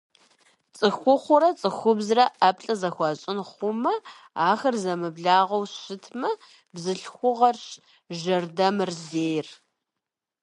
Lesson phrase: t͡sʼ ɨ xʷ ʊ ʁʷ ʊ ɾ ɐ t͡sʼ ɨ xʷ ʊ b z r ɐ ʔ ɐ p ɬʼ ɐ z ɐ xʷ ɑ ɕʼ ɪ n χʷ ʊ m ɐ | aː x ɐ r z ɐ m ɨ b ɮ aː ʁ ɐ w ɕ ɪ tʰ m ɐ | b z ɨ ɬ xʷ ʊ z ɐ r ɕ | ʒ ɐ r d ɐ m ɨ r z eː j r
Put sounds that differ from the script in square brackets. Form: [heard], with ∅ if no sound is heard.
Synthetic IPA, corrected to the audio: t͡sʼ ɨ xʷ ʊ [χʷ] ʊ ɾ ɐ t͡sʼ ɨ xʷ ʊ b z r ɐ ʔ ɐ p ɬʼ ɐ z ɐ xʷ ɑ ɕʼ ɪ n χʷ ʊ m ɐ | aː x ɐ r z ɐ m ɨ b ɮ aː ʁ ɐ w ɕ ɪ tʰ m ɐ | b z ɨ ɬ xʷ ʊ [ʁ] ɐ r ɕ | ʒ ɐ r d ɐ m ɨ r z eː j r